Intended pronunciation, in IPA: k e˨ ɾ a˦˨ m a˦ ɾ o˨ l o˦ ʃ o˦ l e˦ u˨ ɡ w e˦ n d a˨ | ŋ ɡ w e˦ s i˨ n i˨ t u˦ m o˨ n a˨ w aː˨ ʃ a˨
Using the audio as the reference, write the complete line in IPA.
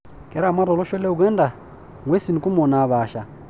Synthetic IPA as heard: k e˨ ɾ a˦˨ m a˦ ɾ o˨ l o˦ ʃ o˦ l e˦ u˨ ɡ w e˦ n d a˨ | ŋ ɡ w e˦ s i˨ n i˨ k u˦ m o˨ n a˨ β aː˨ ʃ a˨